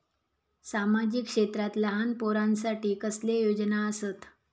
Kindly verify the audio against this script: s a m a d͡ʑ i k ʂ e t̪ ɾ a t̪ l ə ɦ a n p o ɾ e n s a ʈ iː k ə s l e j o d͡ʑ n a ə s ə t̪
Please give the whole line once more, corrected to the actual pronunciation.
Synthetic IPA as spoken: s a m a d͡ʑ i k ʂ e t̪ ɾ a t̪ l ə ɦ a n p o ɾ a n s a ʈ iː k ə s l e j o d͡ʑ n a ə s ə t̪